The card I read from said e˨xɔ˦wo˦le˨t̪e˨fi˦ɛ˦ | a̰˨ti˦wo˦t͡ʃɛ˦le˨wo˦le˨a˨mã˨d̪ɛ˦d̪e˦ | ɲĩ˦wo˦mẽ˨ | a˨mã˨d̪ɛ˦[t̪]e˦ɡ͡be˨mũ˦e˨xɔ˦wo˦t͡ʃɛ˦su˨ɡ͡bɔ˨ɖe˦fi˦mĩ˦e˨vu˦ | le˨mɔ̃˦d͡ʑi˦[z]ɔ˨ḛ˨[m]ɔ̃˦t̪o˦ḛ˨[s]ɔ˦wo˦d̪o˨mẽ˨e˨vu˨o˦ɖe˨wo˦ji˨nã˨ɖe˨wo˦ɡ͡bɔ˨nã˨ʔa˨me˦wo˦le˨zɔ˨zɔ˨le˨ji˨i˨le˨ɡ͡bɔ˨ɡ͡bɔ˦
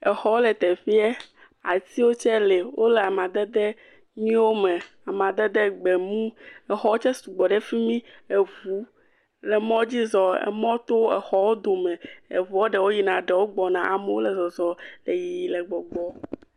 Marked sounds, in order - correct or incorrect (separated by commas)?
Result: incorrect, correct, correct, incorrect